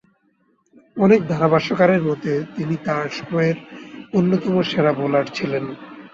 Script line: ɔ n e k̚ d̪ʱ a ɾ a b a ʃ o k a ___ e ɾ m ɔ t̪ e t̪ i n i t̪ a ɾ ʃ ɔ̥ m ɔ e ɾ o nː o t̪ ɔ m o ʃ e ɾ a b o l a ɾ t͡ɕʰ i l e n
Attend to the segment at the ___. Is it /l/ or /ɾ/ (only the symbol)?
ɾ